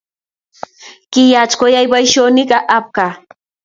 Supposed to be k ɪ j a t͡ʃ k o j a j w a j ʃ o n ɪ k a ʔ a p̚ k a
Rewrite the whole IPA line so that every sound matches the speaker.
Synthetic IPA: k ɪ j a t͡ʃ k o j a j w a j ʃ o n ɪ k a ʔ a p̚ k a

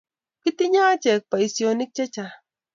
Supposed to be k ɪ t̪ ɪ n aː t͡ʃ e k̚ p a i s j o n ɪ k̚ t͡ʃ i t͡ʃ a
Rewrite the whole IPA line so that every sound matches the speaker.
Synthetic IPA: k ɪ t̪ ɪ ɲ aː t͡ʃ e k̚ p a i s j o n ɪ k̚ t͡ʃ a t͡ʃ a

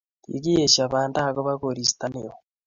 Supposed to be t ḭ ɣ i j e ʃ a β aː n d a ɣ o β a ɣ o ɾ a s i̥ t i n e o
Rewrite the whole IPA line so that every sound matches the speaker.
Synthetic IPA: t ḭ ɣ i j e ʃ a β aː n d a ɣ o β a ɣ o ɾ i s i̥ t a n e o

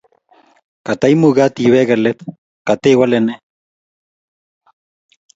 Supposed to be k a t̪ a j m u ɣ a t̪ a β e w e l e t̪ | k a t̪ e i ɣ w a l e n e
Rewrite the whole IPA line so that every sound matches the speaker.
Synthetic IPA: k a t̪ a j m u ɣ a t̪ i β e ɣ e l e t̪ | k a t̪ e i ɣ w a l e n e

